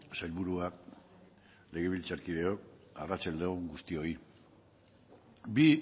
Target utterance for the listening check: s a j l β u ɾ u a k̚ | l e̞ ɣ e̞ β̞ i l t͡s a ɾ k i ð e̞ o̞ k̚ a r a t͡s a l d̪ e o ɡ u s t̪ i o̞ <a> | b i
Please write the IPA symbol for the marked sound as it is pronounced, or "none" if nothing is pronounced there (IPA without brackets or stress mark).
i